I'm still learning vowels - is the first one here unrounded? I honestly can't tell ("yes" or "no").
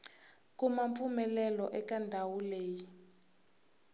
no